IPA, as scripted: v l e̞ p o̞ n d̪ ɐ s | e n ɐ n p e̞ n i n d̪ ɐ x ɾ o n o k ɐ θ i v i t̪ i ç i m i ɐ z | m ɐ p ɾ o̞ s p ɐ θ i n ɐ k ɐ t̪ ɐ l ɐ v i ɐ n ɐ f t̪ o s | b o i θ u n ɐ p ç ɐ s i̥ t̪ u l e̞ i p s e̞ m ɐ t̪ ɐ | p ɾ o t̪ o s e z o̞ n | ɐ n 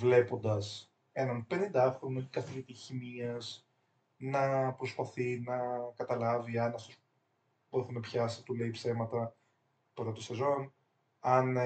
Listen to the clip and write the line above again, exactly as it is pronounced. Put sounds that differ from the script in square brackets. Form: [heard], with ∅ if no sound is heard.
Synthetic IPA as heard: v l e̞ p o̞ n d̪ ɐ s | e n ɐ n p e̞ n i n d̪ ɐ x ɾ o n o k ɐ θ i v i t̪ i ç i m i ɐ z | [n] ɐ p ɾ o̞ s p ɐ θ i n ɐ k ɐ t̪ ɐ l ɐ v i ɐ n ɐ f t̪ o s | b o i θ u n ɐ p ç ɐ s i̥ t̪ u l e̞ i p s e̞ m ɐ t̪ ɐ | p ɾ o t̪ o s e z o̞ n | ɐ n